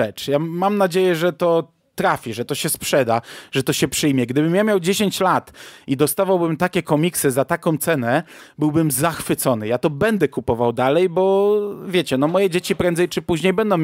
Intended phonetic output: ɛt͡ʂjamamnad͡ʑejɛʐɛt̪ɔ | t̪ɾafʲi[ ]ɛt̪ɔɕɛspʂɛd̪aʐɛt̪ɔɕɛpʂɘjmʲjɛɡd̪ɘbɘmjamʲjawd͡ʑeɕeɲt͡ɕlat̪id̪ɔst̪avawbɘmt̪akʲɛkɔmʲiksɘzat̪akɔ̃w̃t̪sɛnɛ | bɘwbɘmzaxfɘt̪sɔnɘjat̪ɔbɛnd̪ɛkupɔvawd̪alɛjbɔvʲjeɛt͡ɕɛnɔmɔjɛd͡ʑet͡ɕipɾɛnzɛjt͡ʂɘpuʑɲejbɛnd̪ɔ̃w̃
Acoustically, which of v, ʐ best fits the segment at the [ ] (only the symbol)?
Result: ʐ